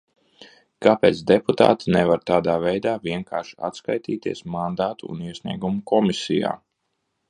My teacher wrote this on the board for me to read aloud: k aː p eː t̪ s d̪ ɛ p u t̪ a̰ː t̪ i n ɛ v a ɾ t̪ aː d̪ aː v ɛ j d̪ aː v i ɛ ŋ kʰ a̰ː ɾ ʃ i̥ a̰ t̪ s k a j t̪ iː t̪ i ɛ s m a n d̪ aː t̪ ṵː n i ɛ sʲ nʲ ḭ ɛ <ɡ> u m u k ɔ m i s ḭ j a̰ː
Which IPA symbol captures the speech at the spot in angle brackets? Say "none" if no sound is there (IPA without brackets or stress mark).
ɡ